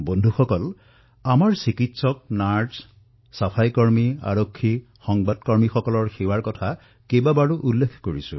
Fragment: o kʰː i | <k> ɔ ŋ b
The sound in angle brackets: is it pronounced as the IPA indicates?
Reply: no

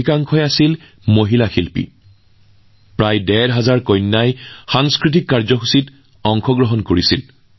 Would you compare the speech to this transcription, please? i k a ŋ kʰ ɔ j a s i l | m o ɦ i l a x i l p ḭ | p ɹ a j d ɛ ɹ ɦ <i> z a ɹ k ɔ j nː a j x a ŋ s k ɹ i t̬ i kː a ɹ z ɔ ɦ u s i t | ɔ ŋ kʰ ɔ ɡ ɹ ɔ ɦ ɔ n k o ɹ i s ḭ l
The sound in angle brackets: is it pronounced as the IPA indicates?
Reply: no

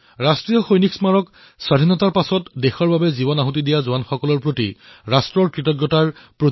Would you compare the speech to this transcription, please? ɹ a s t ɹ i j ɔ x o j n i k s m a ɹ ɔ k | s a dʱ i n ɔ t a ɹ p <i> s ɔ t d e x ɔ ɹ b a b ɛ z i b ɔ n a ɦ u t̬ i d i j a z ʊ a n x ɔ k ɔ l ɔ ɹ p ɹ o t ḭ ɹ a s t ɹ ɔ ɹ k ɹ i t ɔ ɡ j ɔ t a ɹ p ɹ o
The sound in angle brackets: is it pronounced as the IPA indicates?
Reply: no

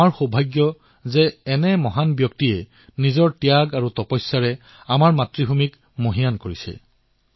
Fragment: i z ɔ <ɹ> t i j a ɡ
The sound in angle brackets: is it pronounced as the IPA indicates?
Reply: yes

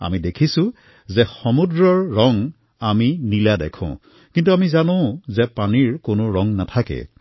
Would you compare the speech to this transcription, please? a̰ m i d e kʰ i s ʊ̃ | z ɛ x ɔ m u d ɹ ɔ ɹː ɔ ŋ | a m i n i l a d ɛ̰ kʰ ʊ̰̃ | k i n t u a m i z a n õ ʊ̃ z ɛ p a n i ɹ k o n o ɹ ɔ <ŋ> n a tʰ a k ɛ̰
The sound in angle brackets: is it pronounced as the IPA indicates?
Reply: yes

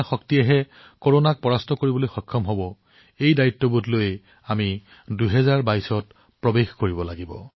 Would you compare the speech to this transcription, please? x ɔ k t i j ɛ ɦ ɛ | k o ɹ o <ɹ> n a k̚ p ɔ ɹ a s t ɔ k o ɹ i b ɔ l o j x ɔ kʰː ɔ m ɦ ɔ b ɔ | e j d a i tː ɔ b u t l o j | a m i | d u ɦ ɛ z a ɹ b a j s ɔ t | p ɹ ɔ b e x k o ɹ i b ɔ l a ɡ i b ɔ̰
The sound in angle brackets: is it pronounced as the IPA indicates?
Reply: no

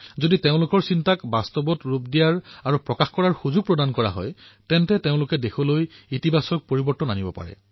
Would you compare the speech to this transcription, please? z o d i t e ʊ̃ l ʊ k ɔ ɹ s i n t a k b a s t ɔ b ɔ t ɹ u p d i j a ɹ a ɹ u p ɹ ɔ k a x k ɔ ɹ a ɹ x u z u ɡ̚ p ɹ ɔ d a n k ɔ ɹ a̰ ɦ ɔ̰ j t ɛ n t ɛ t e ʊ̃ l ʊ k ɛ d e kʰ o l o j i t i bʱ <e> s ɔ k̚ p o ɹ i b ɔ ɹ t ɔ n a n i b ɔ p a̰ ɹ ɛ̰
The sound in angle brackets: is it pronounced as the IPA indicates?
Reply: no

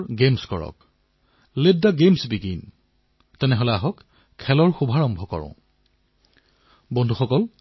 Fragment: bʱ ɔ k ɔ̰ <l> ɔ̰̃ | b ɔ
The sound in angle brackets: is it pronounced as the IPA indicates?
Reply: no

